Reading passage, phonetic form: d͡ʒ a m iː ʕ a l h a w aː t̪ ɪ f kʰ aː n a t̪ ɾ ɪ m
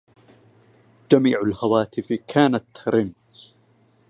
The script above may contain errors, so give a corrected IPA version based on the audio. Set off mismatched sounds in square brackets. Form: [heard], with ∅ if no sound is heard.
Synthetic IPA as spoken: d͡ʒ a m iː ʕ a l h a w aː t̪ ɪ f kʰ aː n a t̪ ɾ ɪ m